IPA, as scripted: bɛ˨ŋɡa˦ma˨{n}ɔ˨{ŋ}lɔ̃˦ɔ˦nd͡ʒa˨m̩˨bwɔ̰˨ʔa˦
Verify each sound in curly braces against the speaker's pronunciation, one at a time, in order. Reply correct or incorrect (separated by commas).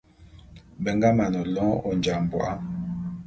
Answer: correct, incorrect